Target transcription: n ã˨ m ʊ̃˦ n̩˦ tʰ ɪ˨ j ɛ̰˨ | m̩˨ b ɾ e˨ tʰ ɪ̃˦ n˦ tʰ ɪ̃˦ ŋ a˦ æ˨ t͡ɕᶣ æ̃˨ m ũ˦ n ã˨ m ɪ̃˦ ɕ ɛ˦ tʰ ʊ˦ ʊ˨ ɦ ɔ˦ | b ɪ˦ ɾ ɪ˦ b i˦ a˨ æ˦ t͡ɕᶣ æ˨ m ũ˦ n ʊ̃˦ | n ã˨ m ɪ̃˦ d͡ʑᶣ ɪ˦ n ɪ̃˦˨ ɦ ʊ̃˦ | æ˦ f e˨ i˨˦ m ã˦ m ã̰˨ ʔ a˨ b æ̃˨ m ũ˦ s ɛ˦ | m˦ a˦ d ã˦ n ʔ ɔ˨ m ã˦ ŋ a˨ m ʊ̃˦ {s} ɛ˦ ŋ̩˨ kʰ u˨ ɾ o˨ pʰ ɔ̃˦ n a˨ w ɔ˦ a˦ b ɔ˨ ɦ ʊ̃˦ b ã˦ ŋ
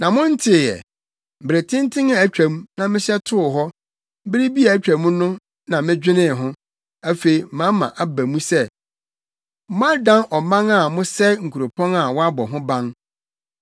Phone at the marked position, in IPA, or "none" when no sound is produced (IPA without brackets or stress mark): s